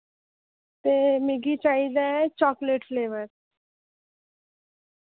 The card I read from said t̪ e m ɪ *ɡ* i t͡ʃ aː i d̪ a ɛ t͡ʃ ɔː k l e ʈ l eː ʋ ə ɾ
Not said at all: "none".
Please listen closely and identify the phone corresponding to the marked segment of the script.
ɡ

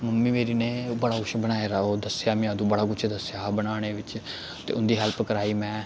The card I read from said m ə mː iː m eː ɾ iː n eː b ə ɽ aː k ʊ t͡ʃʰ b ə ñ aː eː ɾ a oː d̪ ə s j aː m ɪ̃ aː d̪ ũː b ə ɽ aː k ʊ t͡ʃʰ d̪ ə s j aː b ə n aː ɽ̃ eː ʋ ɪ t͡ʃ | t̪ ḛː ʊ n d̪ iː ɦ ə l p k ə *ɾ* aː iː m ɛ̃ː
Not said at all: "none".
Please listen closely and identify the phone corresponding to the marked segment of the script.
ɾ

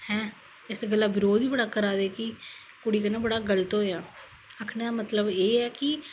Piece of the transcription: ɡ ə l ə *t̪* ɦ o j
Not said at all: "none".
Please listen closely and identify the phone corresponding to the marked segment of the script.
t̪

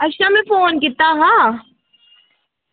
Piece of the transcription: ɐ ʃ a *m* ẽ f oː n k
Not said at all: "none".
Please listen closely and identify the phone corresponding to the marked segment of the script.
m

